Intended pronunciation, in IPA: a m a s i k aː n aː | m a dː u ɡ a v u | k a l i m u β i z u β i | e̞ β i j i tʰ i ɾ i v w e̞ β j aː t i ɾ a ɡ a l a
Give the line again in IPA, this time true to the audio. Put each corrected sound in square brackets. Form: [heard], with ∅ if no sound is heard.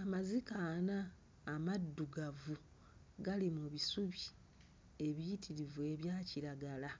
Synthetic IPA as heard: a m a [z] i k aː n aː | m a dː u ɡ a v u | [ɡ] a l i m u β i [s] u β i | e̞ β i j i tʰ i ɾ i v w e̞ β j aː [c] i ɾ a ɡ a l a